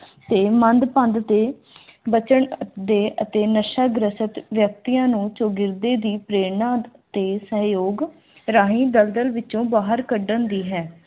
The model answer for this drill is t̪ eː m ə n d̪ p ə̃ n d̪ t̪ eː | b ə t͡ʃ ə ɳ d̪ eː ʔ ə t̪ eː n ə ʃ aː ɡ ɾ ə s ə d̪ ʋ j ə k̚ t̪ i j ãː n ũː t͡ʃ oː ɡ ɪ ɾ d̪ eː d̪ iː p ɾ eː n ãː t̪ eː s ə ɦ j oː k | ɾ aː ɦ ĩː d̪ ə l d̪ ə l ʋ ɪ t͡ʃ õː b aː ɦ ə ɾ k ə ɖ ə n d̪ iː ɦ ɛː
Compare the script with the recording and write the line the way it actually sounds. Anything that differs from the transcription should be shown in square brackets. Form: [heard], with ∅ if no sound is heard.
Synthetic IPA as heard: t̪ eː m ə n d̪ p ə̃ n d̪ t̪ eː | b ə t͡ʃ ə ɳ d̪ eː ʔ ə t̪ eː n ə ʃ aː ɡ ɾ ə s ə [t̪] ʋ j ə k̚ t̪ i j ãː n ũː t͡ʃ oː ɡ ɪ ɾ d̪ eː d̪ iː p ɾ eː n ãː t̪ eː s ə ɦ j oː [ɡ] | ɾ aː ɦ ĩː d̪ ə l d̪ ə l ʋ ɪ t͡ʃ õː b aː ɦ ə ɾ k ə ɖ ə n d̪ iː ɦ ɛː